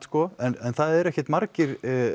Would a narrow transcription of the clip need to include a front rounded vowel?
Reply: no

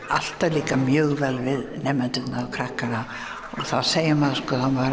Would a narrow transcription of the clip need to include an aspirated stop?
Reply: yes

